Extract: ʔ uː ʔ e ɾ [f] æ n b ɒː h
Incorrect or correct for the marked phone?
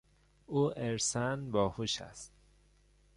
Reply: incorrect: s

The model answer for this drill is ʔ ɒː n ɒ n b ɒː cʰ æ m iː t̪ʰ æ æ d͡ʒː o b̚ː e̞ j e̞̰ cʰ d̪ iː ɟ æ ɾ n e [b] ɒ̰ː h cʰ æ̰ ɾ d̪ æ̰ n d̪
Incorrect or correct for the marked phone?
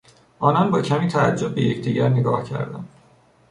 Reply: incorrect: ɡ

